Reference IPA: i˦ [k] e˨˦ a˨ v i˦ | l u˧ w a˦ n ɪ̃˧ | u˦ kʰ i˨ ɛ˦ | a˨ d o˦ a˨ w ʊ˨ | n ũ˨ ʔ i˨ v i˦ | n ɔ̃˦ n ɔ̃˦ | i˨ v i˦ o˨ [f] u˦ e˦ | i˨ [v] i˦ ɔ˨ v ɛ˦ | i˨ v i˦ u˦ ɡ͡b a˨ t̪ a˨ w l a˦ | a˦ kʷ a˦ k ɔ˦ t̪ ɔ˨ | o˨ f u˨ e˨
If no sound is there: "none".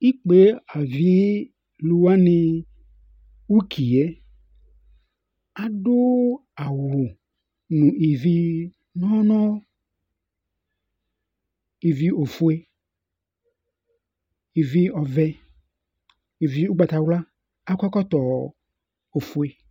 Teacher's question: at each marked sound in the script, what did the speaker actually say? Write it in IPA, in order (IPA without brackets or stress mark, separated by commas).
k͡p, f, v